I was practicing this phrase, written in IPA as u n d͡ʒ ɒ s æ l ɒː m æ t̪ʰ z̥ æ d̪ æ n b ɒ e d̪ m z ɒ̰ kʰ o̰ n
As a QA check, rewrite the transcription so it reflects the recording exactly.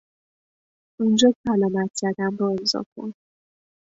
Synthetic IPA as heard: u n d͡ʒ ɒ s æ l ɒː m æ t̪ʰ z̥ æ d̪ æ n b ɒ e m z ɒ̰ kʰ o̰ n